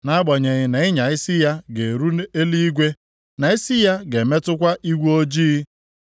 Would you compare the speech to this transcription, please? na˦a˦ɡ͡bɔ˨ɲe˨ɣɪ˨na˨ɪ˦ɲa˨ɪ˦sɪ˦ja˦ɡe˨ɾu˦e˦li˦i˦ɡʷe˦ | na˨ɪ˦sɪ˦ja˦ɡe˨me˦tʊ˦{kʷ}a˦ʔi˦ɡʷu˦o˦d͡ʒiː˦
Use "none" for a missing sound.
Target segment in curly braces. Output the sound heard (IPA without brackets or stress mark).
kʷ